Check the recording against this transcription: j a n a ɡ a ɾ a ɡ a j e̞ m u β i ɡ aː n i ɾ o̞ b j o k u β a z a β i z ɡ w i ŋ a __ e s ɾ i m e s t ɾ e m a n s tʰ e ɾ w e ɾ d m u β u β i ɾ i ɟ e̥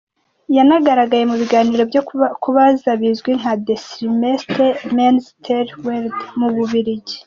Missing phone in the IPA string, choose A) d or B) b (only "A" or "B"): A